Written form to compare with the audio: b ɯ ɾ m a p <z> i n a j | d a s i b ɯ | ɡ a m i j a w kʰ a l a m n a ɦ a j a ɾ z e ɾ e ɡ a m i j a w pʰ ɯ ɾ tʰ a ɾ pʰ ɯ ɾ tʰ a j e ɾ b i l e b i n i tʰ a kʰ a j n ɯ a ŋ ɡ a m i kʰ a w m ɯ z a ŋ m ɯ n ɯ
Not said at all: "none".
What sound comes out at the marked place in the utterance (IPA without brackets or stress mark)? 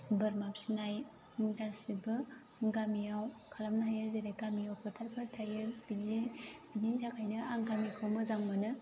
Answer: s